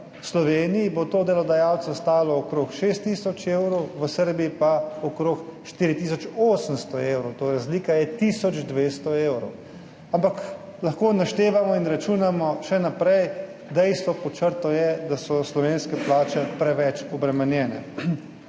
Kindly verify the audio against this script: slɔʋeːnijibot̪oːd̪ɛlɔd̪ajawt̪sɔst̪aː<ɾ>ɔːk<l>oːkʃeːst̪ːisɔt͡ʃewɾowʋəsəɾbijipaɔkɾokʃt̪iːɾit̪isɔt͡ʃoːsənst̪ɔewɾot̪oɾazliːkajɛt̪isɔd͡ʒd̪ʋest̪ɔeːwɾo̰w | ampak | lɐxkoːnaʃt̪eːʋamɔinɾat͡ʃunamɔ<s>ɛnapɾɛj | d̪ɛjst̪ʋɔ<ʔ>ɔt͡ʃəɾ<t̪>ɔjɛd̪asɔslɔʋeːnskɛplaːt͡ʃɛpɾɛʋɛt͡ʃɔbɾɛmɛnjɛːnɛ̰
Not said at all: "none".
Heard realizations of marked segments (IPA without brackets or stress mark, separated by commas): l, ɾ, ʃ, p, t̪